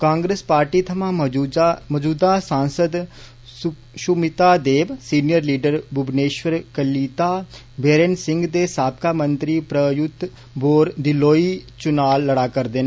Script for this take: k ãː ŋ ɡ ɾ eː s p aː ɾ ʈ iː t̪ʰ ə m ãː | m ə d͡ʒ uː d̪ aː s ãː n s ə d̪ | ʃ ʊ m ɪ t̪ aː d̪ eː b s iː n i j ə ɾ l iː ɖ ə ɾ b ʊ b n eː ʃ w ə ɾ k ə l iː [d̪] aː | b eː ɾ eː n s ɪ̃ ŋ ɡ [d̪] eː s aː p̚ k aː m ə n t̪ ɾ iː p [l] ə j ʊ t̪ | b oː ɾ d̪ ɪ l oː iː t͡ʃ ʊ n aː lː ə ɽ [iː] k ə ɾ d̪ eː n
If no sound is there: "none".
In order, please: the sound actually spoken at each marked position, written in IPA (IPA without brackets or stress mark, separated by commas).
t̪, d̪, ɾ, aː